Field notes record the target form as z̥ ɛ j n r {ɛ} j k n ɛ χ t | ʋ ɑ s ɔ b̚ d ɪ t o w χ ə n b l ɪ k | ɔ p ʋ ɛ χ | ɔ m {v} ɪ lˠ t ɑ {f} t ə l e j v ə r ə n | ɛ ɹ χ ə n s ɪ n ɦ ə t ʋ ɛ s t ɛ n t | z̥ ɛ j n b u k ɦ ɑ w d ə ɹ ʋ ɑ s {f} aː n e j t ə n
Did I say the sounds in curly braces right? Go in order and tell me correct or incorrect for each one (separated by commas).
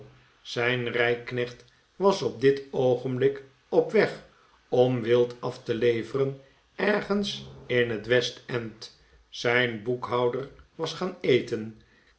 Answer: correct, incorrect, correct, incorrect